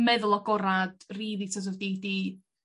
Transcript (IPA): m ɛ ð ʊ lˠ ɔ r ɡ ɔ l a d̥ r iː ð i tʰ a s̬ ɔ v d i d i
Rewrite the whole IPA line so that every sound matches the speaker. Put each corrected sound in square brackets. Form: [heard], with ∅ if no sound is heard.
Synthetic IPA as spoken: m ɛ ð ʊ lˠ ɔ [∅] ɡ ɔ [ɾ] a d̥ r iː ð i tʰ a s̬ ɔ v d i d i